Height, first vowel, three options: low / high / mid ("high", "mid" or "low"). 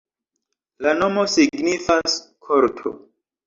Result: low